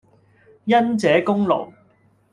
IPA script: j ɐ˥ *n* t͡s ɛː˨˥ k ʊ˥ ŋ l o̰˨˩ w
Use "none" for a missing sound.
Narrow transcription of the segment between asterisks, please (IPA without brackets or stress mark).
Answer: n